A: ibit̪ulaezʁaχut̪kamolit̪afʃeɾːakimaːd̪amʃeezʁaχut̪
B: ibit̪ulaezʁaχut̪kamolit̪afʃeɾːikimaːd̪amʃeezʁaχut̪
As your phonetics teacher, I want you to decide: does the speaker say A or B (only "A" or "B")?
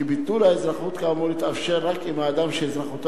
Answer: A